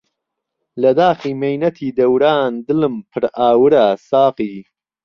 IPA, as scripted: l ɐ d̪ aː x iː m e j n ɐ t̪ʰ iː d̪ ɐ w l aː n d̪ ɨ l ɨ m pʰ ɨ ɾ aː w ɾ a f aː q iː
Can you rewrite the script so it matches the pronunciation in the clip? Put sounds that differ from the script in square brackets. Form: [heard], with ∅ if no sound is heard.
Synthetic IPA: l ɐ d̪ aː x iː m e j n ɐ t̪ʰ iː d̪ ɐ w [ɾ] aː n d̪ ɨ l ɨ m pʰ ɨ ɾ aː w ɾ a [s] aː q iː